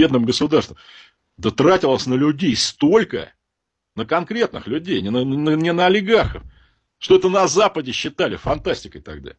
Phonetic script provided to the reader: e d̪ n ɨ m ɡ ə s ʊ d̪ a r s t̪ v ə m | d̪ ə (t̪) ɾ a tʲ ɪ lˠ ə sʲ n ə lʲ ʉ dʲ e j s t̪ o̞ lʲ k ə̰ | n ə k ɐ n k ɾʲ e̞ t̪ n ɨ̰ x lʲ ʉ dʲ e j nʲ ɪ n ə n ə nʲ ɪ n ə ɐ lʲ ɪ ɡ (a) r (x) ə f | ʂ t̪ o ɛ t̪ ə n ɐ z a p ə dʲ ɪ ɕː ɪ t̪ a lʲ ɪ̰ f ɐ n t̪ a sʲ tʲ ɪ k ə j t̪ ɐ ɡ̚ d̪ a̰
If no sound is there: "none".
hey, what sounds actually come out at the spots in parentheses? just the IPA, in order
t̪, a, x

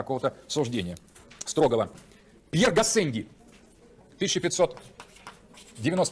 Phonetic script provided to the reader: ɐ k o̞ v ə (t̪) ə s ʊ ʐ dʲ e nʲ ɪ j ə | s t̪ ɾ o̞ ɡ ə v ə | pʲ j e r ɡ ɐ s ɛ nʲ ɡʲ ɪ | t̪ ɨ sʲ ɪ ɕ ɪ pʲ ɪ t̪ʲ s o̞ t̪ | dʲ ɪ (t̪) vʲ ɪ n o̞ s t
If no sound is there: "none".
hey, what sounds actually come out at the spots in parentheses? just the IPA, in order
t̪, none

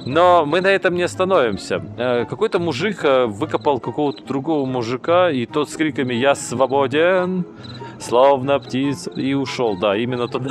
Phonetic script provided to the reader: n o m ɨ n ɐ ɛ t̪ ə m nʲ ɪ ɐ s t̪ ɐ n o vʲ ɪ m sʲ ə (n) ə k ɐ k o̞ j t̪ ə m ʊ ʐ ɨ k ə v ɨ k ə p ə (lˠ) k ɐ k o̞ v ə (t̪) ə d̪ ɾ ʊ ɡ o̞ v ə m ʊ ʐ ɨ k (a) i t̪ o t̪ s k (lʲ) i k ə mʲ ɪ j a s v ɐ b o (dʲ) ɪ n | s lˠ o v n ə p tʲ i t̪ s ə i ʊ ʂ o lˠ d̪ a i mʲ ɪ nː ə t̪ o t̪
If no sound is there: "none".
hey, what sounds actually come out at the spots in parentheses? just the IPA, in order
none, lˠ, t̪, a, ɾʲ, dʲ

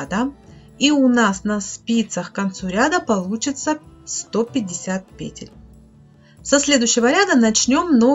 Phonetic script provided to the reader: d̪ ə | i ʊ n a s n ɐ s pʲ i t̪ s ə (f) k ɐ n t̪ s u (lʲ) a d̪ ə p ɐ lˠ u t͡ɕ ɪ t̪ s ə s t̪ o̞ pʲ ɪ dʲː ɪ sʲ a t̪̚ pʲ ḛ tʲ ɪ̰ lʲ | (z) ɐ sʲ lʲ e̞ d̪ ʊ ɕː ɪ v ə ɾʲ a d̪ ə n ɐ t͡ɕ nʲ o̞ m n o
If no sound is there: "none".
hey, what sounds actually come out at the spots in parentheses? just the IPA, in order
x, ɾʲ, s

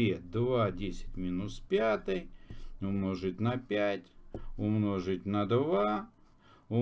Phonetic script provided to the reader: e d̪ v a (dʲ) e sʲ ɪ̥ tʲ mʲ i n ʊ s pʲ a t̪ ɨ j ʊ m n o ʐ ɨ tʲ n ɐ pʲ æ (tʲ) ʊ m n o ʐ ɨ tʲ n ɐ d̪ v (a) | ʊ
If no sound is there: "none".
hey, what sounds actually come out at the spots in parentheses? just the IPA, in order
dʲ, tʲ, a

